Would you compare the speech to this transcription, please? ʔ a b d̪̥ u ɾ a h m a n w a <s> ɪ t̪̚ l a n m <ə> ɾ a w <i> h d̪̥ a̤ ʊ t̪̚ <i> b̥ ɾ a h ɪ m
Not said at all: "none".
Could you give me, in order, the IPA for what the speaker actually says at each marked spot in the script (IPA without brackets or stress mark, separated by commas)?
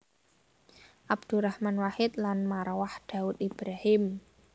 h, a, a, i